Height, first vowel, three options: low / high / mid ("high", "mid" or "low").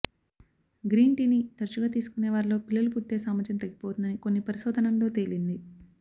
high